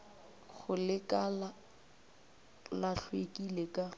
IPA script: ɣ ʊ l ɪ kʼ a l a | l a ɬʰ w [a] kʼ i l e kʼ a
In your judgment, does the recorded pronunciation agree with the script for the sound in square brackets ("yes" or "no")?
no